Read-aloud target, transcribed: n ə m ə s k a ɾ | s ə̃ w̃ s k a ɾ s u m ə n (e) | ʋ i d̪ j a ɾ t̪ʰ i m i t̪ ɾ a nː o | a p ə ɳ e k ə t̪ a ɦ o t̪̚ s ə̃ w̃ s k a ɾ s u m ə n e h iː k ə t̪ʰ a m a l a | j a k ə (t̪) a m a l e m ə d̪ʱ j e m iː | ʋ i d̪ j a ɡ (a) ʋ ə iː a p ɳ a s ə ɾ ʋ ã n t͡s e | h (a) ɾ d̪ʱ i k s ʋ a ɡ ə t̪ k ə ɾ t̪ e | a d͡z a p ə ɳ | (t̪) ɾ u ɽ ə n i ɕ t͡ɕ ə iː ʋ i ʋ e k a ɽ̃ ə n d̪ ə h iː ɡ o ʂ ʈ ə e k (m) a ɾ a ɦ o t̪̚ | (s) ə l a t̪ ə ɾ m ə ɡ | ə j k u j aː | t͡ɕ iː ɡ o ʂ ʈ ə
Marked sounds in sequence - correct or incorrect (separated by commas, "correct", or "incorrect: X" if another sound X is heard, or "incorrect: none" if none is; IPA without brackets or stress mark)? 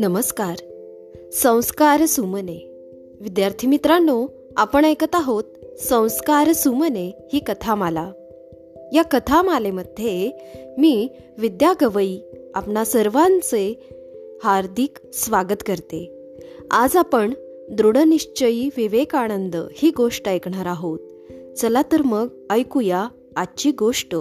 correct, incorrect: t̪ʰ, incorrect: ə, correct, incorrect: d̪, incorrect: ɳ, incorrect: t͡s